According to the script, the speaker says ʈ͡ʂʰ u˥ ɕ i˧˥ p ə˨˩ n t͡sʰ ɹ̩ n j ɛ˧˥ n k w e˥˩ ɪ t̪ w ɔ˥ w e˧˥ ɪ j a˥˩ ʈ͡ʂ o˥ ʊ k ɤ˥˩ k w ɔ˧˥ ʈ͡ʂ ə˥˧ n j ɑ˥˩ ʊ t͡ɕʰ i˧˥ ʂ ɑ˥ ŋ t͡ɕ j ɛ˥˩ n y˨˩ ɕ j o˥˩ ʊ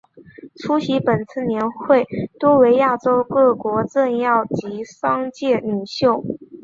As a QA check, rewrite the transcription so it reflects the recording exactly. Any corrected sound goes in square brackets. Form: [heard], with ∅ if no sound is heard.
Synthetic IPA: ʈ͡ʂʰ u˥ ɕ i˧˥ p ə˨˩ n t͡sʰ ɹ̩ n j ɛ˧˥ n [x] w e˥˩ ɪ t̪ w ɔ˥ w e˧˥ ɪ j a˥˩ ʈ͡ʂ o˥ ʊ k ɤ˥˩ k w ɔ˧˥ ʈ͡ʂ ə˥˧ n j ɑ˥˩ ʊ [t͡ɕ] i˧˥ ʂ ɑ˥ ŋ t͡ɕ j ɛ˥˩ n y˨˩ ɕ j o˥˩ ʊ